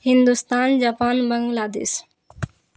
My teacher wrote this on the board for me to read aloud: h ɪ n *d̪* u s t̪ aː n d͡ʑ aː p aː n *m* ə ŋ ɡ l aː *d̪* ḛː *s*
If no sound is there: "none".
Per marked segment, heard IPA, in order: d̪, b, d̪, s

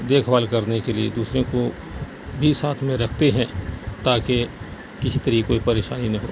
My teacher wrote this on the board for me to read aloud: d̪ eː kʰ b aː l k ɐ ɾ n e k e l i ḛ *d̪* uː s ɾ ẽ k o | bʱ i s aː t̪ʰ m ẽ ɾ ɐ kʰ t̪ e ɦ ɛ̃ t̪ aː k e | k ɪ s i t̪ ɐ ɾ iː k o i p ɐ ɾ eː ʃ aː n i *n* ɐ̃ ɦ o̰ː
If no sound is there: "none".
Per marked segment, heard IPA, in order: d̪, n

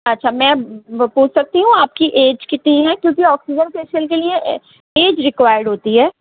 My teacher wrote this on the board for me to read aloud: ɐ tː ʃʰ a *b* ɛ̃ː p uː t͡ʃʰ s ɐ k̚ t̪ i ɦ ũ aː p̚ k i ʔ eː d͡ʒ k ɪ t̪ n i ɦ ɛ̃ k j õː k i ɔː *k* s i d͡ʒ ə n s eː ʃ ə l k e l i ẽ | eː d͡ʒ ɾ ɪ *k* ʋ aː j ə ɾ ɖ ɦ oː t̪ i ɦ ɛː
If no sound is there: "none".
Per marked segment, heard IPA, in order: m, k, k

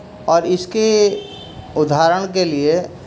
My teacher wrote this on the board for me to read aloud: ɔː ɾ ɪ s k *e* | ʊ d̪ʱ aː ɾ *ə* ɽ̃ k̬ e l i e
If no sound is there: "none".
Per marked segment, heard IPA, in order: e, ə

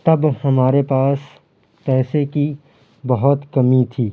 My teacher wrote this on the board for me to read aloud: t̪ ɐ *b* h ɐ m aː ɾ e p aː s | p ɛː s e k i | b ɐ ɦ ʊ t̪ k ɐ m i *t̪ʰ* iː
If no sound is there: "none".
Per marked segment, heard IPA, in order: b, t̪ʰ

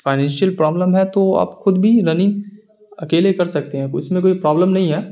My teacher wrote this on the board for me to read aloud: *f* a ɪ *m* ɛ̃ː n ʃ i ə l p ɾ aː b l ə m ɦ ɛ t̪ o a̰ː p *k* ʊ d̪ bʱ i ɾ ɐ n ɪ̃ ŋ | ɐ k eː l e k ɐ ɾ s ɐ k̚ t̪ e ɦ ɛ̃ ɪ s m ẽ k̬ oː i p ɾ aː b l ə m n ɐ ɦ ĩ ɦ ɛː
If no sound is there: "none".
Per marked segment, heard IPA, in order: f, n, x

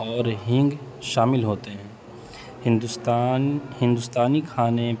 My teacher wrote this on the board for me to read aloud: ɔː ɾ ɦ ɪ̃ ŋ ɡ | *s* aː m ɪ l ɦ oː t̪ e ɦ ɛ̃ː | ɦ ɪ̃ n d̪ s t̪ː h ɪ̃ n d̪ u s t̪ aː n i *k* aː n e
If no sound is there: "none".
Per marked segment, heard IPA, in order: ʃ, kʰ

